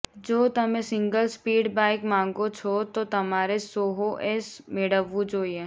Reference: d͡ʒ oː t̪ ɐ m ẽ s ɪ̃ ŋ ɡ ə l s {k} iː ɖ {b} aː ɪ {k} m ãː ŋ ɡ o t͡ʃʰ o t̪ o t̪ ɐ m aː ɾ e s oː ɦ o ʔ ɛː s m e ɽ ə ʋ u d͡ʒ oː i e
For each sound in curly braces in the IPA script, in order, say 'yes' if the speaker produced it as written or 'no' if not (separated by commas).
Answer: no, yes, yes